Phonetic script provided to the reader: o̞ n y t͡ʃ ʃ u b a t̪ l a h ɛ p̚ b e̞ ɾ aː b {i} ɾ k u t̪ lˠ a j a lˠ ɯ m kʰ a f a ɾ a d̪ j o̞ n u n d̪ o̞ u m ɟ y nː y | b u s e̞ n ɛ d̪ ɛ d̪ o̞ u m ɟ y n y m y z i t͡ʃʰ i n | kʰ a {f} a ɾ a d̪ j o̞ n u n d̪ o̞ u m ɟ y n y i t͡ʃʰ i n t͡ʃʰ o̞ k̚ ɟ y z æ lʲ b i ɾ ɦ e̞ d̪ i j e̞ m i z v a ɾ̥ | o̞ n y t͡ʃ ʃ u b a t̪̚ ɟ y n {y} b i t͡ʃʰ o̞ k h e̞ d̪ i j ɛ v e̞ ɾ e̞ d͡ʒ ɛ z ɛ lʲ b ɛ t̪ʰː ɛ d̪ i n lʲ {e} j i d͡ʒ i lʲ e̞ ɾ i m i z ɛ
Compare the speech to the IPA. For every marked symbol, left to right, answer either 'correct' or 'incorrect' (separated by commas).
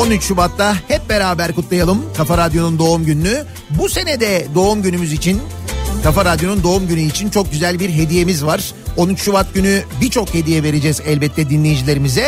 incorrect, correct, correct, correct